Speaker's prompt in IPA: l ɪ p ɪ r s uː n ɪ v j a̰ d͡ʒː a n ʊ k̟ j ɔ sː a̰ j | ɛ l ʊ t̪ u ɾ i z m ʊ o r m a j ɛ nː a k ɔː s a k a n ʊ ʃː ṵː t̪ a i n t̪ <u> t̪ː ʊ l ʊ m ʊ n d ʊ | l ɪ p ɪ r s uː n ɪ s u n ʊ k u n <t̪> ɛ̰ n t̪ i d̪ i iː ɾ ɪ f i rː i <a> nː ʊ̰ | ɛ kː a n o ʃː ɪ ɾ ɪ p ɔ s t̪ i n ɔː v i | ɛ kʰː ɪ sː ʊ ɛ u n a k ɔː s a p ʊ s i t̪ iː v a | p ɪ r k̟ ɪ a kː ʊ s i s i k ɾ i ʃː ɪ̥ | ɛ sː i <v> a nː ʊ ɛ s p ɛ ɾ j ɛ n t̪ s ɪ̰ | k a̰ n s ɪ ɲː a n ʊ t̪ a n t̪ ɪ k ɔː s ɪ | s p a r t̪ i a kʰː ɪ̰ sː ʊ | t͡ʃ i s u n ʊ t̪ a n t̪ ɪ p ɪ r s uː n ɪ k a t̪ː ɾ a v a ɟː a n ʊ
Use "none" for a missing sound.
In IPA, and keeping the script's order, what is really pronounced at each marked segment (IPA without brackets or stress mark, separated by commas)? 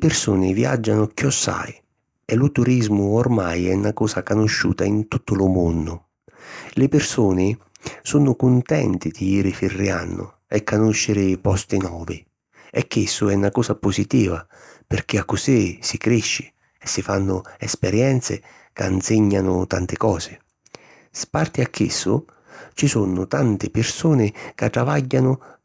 u, t̪, a, f